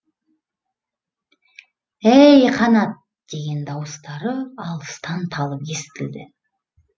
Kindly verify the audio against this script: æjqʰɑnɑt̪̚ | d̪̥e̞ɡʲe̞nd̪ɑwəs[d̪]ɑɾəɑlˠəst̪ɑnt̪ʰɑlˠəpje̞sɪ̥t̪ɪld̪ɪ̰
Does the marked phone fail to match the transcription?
yes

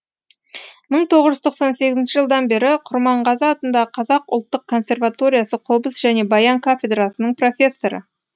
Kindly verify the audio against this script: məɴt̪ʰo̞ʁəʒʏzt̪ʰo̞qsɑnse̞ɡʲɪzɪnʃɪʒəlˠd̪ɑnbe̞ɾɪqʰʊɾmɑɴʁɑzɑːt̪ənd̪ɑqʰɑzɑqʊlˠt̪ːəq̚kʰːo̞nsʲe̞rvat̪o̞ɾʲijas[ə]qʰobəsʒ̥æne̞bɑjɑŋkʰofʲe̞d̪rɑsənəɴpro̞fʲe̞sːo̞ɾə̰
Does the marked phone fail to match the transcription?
no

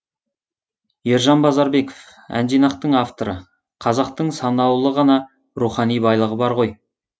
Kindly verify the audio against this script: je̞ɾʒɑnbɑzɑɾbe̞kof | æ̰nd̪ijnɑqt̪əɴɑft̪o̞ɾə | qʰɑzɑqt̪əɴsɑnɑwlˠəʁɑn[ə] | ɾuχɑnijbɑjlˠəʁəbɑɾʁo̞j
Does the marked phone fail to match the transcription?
yes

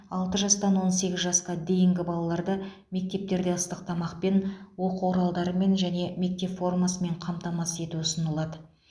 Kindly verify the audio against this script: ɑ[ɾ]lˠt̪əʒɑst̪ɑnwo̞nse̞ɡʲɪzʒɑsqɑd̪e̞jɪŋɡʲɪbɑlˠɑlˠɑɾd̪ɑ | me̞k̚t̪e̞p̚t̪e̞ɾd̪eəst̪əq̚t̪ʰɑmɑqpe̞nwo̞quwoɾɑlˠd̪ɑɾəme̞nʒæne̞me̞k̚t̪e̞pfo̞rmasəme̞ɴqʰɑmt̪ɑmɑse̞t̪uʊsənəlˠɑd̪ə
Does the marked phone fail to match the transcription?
yes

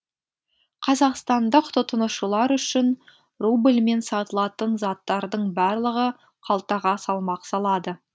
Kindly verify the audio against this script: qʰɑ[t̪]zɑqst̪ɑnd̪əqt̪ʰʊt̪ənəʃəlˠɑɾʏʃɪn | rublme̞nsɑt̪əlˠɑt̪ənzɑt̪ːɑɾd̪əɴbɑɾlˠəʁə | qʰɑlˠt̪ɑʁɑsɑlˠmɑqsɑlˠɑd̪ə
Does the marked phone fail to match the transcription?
yes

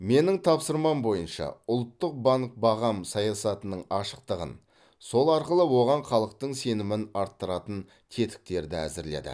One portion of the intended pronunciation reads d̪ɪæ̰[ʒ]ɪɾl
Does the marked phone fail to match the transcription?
yes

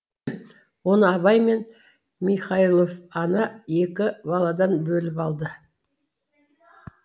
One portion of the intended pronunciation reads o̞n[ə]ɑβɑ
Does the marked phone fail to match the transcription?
no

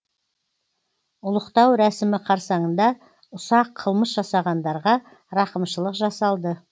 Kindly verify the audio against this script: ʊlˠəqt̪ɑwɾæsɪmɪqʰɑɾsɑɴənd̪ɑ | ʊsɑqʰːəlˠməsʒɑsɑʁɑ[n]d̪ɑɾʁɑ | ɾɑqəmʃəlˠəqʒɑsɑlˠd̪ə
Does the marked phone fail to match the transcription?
no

